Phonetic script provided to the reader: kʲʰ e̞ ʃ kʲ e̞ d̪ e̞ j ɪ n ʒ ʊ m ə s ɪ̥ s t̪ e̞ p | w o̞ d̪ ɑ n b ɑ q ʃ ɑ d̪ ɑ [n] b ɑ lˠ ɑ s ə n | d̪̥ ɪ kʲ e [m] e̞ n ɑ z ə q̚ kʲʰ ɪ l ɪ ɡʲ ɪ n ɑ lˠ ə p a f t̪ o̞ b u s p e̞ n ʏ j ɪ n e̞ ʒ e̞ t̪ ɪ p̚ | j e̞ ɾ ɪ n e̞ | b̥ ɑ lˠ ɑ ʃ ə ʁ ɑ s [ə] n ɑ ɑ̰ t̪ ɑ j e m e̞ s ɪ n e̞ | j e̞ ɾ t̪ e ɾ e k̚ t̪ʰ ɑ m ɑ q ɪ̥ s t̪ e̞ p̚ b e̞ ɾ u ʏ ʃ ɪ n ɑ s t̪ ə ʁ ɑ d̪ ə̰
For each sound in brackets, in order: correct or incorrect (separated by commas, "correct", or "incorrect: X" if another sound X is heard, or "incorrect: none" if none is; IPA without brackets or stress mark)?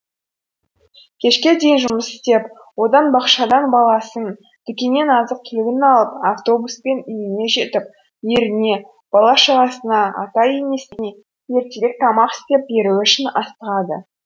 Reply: correct, incorrect: n, correct